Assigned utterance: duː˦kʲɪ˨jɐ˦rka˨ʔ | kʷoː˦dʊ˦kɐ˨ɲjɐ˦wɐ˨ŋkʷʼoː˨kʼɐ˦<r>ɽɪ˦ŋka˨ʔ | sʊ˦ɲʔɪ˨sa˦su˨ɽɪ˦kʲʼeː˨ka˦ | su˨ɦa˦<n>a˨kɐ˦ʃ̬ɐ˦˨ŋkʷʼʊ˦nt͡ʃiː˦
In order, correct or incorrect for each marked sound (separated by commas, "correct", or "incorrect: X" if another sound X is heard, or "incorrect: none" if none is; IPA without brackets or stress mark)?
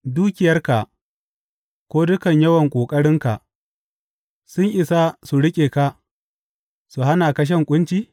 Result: incorrect: none, correct